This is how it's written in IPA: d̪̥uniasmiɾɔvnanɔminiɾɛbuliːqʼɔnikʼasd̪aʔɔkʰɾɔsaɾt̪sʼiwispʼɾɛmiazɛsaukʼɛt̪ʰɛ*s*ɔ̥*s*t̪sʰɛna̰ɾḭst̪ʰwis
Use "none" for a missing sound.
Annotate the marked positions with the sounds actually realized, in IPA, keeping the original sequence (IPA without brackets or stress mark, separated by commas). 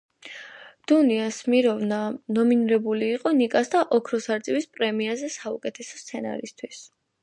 s, s